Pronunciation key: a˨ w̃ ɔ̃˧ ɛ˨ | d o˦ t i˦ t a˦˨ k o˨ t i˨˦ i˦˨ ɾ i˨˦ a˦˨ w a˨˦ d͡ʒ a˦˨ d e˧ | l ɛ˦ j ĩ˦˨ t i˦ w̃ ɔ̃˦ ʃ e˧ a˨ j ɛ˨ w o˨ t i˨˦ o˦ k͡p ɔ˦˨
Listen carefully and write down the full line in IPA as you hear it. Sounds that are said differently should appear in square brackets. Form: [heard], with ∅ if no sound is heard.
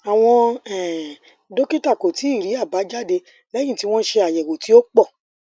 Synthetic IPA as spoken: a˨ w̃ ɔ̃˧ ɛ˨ | d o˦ [k] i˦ t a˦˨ k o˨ t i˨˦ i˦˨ ɾ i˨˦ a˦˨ [b] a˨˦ d͡ʒ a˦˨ d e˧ | l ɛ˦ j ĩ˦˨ t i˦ w̃ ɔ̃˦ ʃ e˧ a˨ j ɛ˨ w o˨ t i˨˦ o˦ k͡p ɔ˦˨